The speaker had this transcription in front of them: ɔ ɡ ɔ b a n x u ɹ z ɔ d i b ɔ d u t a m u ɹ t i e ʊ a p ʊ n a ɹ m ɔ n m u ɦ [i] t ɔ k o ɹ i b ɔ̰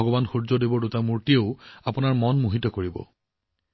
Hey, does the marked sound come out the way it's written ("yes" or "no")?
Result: yes